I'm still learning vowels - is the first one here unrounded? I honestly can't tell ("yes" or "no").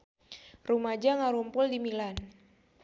no